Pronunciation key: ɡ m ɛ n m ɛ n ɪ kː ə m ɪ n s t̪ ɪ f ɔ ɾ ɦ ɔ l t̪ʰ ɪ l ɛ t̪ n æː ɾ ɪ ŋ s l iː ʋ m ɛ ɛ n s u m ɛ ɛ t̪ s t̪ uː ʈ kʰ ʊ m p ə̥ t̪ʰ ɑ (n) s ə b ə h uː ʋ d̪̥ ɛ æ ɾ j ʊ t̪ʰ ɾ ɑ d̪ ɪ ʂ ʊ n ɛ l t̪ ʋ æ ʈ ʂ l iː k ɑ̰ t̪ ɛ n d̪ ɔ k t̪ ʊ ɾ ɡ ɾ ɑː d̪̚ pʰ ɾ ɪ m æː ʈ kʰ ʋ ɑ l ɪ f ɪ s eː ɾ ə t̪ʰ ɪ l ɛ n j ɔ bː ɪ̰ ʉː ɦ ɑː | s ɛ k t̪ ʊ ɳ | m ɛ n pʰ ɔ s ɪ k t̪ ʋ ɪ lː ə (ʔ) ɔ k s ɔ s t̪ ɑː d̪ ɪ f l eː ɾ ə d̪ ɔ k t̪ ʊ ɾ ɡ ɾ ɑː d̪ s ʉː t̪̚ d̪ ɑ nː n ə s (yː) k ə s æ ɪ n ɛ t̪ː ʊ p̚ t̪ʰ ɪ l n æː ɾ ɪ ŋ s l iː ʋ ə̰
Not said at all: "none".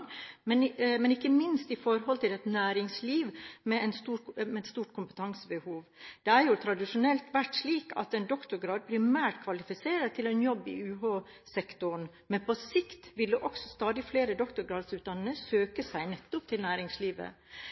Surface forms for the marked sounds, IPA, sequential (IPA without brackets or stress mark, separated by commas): ŋ, ʔ, øː